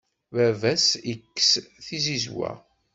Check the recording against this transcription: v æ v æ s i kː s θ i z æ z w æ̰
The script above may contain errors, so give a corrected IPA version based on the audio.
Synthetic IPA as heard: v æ v æ s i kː s θ i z i z w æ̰